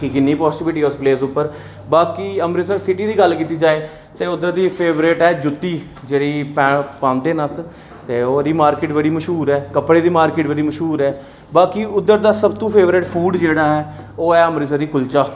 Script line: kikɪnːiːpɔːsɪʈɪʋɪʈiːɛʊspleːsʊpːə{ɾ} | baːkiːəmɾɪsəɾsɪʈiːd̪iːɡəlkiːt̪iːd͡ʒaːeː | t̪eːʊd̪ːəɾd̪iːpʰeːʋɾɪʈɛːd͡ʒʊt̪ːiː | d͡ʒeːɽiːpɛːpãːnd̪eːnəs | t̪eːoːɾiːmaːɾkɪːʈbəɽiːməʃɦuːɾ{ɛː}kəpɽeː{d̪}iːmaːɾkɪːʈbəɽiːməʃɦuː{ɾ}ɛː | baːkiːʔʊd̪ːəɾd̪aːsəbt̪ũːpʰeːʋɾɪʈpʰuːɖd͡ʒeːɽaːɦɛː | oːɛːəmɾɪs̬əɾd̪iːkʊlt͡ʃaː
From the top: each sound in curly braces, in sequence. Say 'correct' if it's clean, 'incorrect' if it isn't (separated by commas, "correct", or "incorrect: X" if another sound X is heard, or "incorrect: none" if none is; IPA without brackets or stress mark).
correct, correct, correct, correct